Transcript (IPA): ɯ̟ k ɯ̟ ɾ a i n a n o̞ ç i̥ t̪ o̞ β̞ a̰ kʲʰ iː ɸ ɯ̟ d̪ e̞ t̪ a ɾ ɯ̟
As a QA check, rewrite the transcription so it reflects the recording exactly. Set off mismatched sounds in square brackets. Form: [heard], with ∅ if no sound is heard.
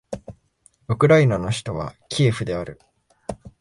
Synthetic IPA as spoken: ɯ̟ k ɯ̟ ɾ a i n a n o̞ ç i̥ t̪ o̞ β̞ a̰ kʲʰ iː ɸ ɯ̟ d̪ e̞ [∅] a ɾ ɯ̟